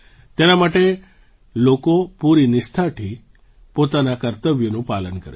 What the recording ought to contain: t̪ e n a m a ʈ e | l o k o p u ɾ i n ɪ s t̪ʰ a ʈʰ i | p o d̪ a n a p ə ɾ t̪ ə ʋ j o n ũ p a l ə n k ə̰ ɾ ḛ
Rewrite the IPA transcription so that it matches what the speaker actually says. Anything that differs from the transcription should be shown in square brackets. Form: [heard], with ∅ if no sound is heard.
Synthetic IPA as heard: t̪ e n a m a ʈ e | l o k o p u ɾ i n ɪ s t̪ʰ a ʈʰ i | p o [t̪] a n a [k] ə ɾ t̪ ə ʋ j o n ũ p a l ə n k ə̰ ɾ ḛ